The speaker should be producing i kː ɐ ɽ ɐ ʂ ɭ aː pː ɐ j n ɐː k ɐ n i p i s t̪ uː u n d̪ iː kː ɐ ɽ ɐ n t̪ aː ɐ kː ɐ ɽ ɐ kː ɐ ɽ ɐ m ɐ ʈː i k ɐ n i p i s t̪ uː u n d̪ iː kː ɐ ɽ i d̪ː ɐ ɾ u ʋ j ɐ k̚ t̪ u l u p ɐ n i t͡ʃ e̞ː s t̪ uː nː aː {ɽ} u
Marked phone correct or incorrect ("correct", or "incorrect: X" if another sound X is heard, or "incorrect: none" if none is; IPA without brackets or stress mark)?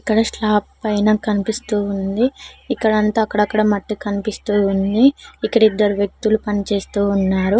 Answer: incorrect: ɾ